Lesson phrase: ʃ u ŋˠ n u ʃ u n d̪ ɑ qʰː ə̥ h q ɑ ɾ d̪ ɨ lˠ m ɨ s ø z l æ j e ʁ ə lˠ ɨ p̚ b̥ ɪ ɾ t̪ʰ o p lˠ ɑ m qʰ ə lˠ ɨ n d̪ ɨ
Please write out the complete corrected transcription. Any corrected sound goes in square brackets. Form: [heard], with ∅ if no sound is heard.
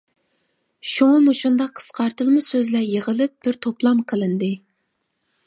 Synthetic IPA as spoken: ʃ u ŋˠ [m] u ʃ u n d̪ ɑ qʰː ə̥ [s] q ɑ ɾ [t̪] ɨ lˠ m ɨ s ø z l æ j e ʁ ə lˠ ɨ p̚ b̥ ɪ ɾ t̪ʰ o p lˠ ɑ m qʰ ə lˠ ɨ n d̪ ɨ